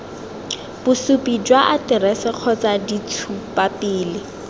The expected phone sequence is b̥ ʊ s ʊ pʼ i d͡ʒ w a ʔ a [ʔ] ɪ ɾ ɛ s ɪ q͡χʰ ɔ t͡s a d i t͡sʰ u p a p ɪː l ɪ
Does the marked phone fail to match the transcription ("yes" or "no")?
yes